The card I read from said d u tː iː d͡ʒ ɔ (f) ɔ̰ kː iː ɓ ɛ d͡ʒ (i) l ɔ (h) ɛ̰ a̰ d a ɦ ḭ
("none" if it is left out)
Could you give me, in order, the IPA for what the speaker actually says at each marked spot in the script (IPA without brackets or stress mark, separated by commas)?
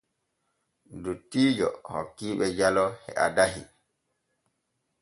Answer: h, a, h